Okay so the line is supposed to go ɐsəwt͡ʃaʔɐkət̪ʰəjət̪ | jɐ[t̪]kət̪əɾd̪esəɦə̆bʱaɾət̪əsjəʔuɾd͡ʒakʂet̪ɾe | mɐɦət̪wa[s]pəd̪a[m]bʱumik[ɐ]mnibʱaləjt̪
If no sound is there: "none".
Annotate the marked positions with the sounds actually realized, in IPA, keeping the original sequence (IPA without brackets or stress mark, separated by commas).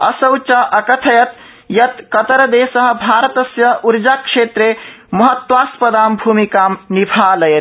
t̪, s, m, a